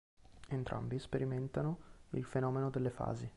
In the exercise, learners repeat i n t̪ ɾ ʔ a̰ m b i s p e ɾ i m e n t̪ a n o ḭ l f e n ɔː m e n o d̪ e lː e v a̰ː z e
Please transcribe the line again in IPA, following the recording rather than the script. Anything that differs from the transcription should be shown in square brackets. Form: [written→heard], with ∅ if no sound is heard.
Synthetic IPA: [i→e] n t̪ ɾ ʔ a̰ m b i s p e ɾ i m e n t̪ a n o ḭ l f e n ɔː m e n o d̪ e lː e [v→f] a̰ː z [e→i]